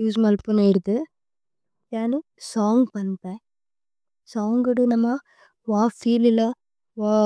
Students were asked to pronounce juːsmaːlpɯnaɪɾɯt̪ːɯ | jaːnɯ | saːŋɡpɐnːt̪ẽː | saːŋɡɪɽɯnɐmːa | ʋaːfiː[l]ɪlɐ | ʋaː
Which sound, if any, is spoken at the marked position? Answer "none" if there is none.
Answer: l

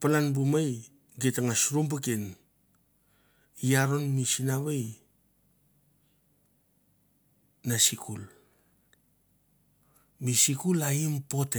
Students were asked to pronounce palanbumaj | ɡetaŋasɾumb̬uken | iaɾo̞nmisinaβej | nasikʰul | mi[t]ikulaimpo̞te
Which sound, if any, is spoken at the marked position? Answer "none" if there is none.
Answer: s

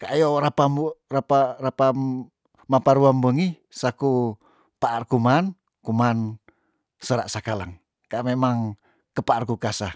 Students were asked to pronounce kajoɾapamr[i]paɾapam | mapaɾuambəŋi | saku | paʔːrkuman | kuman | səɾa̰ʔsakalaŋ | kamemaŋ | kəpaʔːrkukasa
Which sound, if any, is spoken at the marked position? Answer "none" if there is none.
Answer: a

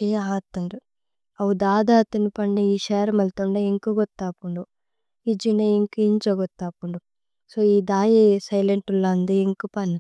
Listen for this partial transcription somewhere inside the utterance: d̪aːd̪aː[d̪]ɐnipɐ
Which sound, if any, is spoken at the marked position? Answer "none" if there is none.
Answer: t̪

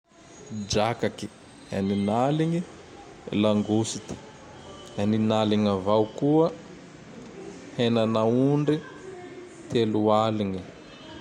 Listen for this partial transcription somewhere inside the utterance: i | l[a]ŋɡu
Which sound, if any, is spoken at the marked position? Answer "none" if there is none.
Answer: a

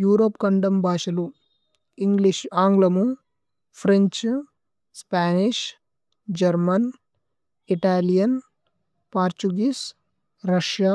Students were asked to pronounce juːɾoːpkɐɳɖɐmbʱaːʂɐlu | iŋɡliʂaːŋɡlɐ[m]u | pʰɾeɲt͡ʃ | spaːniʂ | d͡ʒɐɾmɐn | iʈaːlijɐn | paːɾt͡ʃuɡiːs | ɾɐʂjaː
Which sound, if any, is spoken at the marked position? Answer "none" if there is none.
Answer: m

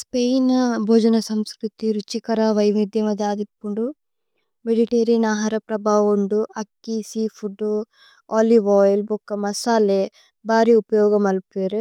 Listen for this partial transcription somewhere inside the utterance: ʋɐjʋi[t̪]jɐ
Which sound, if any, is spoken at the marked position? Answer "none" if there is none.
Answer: d̪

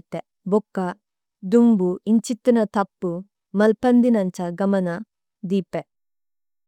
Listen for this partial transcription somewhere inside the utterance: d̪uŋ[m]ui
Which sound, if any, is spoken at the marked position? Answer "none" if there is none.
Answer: b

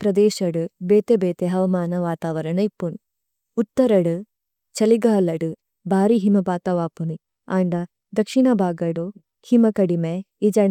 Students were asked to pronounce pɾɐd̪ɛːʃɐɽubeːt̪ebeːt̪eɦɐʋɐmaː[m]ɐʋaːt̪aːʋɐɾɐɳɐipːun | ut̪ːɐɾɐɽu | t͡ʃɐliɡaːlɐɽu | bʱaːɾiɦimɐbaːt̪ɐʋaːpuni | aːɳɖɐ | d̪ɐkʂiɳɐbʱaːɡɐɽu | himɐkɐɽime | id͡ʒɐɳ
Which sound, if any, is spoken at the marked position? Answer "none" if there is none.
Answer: n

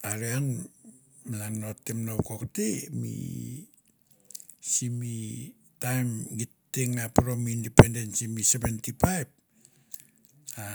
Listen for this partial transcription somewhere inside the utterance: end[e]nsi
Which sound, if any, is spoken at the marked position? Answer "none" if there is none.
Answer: e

